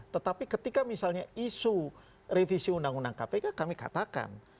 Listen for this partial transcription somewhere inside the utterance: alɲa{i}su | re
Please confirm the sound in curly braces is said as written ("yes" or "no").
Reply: yes